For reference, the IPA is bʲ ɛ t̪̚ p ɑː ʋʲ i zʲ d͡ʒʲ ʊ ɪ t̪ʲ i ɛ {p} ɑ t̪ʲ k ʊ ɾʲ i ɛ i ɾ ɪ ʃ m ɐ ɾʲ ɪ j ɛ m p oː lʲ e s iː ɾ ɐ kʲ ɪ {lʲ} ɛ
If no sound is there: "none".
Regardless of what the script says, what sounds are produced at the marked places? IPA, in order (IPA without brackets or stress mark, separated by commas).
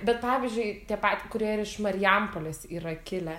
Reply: p, lʲ